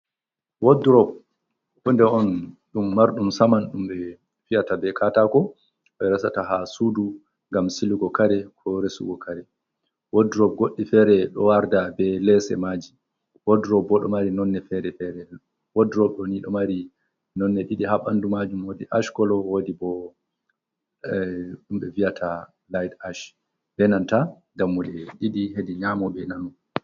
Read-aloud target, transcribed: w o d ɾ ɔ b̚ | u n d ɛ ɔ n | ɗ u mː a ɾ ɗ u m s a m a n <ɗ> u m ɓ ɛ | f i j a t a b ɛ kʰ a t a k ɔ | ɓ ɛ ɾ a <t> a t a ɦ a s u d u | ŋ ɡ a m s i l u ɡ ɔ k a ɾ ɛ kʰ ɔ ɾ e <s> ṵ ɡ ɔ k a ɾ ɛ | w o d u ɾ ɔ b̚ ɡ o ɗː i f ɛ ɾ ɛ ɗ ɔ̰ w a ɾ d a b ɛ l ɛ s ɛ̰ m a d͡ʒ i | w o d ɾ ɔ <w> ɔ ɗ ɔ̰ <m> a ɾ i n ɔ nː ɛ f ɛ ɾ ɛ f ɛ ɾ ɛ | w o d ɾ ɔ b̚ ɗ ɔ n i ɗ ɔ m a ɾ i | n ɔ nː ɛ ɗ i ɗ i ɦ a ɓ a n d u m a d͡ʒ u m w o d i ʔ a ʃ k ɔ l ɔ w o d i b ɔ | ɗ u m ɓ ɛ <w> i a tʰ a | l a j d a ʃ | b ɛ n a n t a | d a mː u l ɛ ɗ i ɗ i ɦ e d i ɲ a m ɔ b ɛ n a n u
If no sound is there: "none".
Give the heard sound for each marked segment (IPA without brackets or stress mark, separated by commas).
ɗ, s, s, b, m, v